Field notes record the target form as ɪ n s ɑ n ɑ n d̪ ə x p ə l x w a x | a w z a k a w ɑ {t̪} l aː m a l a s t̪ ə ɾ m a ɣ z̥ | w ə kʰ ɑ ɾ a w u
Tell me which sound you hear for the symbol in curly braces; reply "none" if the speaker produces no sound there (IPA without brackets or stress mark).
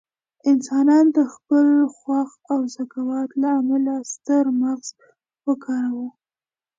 t̪